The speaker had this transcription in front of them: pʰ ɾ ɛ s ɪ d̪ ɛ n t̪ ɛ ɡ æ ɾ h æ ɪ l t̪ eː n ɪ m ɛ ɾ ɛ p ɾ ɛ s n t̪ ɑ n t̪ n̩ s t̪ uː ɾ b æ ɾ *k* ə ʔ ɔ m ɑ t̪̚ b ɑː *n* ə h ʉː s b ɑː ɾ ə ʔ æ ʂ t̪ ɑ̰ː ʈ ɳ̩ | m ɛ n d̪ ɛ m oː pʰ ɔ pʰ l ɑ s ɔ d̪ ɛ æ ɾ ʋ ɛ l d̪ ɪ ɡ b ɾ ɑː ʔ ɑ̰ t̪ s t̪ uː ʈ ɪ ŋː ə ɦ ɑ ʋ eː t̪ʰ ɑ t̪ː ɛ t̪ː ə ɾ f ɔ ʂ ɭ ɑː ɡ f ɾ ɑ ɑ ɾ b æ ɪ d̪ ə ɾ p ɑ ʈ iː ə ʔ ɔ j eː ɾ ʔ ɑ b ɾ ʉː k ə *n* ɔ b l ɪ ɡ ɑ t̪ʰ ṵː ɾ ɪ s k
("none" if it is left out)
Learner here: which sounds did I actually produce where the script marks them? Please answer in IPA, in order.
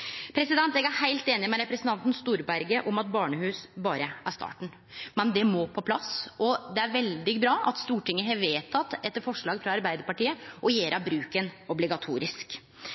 ɡ, ɳ, n

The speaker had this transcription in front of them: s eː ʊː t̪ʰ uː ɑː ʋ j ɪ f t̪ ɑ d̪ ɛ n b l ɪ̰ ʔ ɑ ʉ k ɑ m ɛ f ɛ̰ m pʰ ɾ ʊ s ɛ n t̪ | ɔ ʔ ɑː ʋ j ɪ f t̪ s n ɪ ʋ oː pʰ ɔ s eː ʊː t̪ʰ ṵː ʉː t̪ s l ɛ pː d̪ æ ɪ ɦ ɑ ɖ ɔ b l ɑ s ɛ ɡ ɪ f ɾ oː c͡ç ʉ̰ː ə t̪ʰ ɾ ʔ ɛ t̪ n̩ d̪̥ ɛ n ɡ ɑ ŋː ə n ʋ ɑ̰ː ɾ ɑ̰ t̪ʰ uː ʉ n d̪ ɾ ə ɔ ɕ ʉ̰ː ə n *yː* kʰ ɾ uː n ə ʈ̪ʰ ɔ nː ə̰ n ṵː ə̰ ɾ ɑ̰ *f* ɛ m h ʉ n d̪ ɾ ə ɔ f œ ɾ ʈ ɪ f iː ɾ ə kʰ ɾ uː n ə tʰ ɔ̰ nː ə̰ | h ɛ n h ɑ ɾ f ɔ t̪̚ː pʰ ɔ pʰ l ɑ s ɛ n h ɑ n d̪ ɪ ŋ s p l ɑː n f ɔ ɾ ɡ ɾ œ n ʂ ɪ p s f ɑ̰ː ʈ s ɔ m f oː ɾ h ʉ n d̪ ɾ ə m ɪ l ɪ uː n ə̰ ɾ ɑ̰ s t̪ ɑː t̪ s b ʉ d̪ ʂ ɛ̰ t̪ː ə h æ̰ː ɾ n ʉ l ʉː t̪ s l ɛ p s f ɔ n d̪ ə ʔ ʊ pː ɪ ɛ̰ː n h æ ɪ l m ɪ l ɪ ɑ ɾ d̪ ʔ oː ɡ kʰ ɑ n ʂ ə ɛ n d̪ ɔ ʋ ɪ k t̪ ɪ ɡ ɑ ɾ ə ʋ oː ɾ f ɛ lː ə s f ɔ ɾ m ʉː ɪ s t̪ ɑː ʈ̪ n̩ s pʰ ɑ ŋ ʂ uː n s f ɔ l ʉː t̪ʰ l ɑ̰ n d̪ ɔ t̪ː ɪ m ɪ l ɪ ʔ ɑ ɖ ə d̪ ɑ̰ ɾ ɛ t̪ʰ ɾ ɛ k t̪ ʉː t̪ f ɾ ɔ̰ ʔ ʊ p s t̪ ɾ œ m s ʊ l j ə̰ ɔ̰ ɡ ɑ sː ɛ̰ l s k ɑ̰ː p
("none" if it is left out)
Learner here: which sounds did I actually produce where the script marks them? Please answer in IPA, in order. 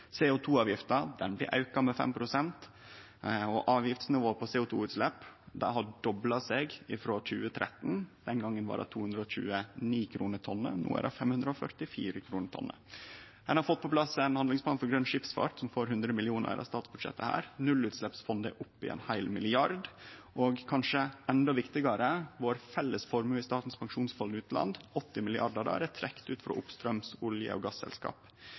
iː, f

